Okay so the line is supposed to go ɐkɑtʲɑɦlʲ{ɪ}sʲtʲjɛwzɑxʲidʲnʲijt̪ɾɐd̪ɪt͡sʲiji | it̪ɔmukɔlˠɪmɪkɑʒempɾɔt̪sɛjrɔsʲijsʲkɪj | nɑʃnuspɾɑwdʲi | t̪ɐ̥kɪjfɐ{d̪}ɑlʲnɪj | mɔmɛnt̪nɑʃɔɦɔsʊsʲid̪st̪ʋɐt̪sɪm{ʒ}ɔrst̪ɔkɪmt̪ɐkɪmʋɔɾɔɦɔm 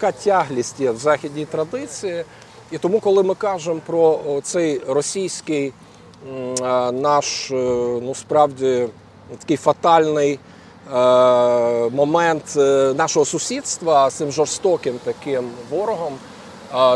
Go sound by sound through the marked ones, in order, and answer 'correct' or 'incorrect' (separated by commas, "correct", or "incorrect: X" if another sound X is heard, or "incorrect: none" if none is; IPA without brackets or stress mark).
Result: incorrect: i, incorrect: t̪, correct